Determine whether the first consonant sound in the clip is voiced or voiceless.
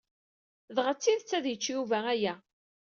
voiced